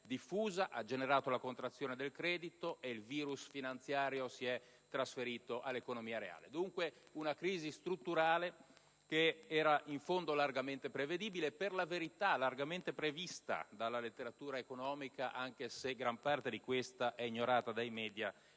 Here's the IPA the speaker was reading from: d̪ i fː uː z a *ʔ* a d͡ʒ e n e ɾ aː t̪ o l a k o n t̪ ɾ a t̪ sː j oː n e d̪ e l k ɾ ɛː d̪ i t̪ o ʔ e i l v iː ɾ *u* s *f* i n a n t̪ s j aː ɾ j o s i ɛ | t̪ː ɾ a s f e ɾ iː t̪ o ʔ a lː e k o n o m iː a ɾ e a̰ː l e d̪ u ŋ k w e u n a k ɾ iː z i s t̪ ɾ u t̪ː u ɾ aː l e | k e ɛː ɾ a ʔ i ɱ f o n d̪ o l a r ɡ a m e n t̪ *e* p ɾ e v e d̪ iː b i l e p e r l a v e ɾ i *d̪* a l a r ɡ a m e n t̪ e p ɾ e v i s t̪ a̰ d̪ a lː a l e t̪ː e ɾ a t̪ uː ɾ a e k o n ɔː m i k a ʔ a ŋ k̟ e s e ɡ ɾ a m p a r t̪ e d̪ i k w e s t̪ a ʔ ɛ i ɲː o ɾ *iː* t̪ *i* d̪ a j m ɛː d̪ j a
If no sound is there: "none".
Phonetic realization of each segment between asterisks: ʔ, u, f, e, t̪, aː, a

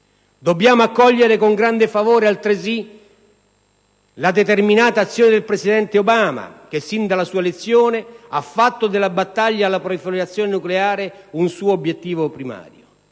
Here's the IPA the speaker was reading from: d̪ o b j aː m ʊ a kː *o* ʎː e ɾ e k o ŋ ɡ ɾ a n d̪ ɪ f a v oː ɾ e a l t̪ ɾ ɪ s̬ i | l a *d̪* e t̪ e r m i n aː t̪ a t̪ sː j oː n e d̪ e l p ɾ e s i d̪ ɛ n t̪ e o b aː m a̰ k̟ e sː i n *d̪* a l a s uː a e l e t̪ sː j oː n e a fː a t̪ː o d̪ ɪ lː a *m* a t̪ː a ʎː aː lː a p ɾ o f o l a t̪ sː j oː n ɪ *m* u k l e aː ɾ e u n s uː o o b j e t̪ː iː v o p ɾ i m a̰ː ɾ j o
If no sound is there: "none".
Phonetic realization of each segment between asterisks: ɔ, d̪, d̪, b, n

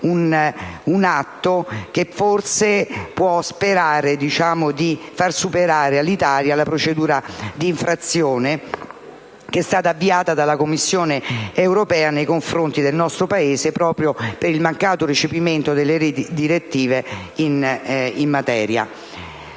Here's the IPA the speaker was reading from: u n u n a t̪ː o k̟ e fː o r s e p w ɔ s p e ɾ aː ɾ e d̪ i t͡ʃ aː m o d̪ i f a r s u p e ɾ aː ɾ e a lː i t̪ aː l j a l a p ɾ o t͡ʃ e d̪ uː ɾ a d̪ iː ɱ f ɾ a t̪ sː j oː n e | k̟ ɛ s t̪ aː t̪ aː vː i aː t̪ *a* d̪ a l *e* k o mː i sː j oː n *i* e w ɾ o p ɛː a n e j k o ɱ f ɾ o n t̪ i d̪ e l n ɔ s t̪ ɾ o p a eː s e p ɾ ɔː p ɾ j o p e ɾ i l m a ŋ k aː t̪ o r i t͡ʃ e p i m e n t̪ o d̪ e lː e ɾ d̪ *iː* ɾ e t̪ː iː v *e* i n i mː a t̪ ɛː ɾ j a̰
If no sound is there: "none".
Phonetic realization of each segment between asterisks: a, a, e, i, e

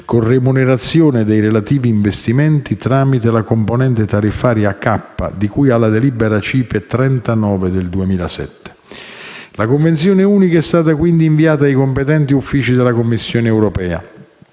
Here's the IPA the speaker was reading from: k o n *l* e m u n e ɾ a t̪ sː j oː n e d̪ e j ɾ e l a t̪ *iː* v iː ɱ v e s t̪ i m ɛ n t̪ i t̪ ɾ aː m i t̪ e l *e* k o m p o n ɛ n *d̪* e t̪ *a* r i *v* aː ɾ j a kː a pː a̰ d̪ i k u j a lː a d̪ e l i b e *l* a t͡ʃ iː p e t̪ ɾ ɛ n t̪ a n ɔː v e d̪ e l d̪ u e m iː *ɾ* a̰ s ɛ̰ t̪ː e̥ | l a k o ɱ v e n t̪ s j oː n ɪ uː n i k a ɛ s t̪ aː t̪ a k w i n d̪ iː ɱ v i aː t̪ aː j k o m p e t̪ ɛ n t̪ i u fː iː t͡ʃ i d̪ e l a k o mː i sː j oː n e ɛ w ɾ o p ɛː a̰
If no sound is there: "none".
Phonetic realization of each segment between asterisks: r, iː, a, t̪, a, f, ɾ, l

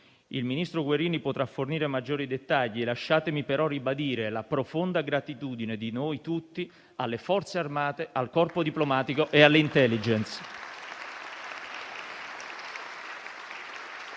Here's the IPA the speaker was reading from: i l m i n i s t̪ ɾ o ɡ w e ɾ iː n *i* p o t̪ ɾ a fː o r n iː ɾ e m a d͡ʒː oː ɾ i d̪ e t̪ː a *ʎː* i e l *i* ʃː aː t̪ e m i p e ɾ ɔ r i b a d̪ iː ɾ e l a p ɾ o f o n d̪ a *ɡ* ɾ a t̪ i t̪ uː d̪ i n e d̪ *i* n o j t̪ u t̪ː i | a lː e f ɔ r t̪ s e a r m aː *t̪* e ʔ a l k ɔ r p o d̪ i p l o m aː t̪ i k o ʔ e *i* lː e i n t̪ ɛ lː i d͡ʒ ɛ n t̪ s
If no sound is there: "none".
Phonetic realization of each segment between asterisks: i, ʎː, a, ɡ, i, t̪, a

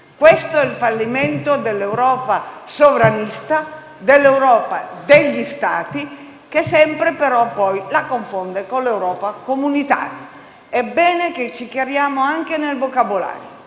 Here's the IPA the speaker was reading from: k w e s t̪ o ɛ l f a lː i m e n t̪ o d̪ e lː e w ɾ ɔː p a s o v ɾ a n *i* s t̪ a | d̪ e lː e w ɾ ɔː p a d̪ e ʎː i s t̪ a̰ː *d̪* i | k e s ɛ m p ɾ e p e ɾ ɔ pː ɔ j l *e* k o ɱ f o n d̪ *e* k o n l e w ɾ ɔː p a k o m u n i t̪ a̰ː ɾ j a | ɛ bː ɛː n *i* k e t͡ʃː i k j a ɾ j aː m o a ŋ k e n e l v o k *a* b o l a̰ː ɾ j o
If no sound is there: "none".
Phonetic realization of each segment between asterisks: i, t̪, a, e, e, a

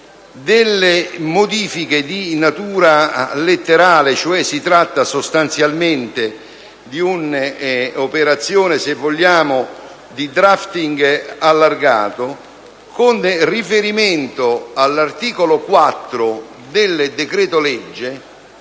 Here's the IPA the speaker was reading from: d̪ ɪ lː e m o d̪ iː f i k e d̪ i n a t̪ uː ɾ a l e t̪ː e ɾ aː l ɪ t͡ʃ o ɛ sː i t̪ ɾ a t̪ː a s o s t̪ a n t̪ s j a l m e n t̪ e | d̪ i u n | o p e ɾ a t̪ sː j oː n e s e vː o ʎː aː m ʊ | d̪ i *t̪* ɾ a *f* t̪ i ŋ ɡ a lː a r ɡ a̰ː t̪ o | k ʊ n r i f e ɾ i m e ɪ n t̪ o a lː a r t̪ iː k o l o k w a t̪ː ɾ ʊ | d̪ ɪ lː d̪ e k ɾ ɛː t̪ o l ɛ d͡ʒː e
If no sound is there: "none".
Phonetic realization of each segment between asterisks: d̪, f

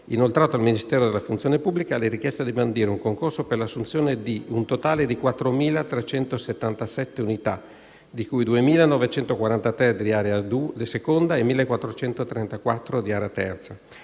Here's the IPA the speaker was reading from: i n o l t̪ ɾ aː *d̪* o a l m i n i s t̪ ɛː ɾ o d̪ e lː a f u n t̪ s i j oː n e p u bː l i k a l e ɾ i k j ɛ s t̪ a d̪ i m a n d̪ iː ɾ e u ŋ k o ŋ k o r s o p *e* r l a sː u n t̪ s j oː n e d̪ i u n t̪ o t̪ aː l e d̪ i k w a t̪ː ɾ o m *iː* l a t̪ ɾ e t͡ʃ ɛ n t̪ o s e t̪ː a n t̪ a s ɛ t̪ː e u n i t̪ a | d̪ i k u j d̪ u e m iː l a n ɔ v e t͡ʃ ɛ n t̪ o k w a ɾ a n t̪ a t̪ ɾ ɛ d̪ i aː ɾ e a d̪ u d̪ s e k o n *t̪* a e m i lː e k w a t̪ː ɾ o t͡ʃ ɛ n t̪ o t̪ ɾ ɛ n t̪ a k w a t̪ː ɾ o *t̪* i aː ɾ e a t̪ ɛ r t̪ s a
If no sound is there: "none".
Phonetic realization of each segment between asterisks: t̪, e, iː, d̪, d̪

